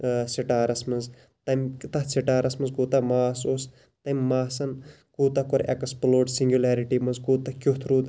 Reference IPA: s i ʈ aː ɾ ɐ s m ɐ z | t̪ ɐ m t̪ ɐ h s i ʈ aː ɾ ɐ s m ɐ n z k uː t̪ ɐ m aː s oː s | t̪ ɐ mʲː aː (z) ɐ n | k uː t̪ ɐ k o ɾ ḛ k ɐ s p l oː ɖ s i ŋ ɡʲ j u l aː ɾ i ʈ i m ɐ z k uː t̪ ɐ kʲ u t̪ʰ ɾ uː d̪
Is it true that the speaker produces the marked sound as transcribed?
no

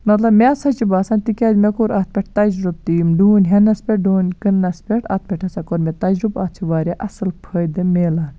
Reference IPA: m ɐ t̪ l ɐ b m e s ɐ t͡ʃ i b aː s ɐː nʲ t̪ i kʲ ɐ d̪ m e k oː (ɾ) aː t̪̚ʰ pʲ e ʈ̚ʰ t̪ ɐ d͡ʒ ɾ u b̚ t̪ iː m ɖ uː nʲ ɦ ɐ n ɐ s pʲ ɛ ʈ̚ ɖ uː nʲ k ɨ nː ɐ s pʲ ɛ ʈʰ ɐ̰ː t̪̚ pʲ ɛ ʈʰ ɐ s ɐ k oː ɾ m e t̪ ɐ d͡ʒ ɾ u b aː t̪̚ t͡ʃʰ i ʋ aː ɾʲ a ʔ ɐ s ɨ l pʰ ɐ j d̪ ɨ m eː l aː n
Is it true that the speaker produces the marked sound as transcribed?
yes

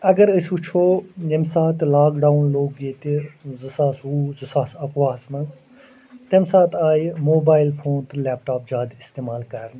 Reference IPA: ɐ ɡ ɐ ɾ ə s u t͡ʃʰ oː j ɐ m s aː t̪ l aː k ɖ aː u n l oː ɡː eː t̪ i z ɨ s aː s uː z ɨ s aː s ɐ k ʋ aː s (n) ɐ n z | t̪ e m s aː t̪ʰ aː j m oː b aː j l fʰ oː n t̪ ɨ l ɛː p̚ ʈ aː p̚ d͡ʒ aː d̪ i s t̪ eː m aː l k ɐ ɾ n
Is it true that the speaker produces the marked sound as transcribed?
no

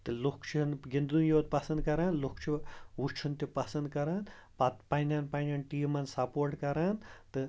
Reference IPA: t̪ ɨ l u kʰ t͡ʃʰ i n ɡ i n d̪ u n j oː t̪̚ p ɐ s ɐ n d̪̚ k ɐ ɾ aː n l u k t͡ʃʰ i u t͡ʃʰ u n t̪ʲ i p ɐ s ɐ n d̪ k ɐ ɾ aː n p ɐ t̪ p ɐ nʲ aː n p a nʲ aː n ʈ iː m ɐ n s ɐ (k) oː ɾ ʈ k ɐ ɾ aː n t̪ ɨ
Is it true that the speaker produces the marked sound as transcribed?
no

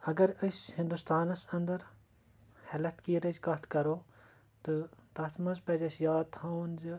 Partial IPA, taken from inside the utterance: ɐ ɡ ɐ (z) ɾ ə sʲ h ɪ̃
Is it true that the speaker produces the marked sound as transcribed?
no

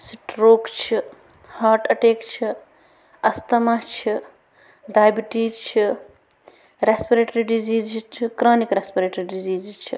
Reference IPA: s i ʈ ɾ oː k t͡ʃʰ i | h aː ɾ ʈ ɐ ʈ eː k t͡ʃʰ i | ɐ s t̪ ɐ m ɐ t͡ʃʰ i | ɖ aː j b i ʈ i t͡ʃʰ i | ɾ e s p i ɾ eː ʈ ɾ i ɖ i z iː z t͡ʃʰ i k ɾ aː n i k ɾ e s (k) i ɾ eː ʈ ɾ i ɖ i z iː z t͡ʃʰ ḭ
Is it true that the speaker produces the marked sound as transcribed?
no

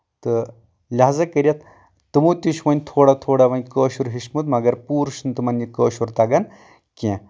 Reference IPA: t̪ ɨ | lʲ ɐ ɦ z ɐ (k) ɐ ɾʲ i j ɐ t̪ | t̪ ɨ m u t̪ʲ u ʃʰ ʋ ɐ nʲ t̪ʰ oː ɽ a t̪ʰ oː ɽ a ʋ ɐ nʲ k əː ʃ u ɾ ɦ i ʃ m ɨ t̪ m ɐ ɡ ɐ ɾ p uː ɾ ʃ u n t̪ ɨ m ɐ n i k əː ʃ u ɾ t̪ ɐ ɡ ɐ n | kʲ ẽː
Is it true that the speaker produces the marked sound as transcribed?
yes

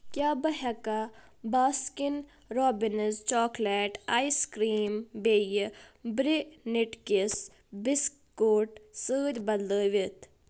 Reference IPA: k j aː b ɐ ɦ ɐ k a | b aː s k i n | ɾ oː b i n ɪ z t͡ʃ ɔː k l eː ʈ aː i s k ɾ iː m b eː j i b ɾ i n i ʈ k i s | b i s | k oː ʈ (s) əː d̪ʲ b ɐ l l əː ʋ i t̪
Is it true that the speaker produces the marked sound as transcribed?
yes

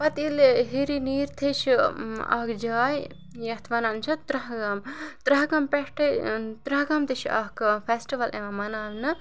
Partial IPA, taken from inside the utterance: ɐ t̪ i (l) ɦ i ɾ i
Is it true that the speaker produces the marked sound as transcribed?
yes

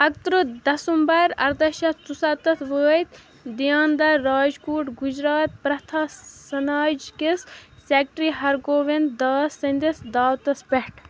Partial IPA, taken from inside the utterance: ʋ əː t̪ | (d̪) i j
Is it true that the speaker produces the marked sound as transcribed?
yes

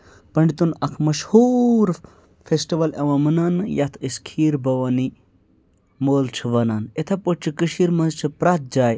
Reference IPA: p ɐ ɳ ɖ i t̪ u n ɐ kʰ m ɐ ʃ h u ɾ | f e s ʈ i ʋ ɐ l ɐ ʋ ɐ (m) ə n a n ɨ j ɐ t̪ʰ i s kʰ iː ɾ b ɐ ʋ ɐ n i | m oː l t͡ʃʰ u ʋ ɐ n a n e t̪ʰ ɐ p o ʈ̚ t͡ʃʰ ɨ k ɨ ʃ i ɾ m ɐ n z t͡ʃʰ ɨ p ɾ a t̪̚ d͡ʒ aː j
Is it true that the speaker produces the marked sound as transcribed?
yes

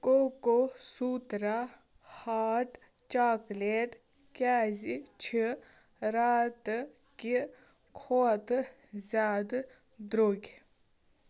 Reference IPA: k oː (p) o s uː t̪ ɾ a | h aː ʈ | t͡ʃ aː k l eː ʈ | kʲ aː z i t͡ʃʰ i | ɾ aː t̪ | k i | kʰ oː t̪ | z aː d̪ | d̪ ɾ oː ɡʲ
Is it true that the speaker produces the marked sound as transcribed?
no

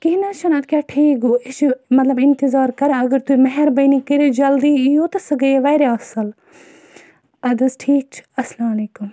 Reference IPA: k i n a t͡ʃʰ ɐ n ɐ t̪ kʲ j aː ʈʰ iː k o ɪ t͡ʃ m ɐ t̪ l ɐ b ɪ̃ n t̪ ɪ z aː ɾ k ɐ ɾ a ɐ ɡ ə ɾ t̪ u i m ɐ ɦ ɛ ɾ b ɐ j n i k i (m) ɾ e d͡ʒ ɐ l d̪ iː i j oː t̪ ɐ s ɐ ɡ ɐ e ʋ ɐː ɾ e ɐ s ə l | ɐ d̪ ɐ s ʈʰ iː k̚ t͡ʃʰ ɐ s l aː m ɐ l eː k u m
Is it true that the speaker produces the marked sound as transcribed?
no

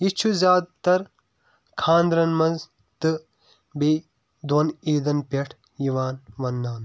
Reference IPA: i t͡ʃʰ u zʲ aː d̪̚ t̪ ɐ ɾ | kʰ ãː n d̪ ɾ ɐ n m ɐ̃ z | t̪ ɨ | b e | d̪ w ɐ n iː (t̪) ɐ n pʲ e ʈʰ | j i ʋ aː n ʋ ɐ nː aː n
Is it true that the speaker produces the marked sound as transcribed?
no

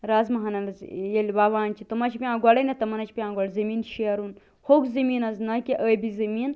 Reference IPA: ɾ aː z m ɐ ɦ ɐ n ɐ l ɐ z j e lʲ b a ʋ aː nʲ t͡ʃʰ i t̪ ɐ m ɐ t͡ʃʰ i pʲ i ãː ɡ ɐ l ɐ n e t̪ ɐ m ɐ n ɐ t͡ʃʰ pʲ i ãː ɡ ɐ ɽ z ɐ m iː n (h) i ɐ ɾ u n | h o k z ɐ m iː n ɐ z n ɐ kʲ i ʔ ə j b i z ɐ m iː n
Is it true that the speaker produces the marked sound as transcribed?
no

